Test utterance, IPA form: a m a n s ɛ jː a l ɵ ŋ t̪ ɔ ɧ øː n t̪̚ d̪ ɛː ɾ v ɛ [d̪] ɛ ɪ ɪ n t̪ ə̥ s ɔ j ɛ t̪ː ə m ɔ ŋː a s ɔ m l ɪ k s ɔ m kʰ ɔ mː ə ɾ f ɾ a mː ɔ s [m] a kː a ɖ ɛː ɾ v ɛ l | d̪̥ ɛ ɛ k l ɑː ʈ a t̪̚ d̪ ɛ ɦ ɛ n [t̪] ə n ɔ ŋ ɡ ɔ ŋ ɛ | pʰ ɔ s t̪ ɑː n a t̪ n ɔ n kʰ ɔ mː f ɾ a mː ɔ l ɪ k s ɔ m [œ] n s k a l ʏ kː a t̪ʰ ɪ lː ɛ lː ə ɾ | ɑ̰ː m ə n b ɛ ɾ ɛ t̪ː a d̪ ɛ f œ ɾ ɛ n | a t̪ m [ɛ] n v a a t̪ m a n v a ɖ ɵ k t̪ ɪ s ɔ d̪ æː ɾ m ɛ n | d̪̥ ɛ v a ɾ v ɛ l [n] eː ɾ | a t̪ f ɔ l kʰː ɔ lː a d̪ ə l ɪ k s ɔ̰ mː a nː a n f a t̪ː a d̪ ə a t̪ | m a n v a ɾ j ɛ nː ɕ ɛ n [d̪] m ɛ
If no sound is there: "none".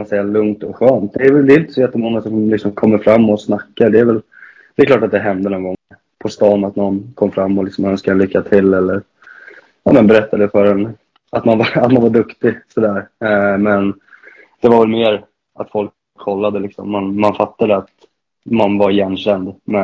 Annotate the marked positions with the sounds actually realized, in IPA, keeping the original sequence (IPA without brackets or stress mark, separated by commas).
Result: d̪, n, d̪, œ, a, m, d̪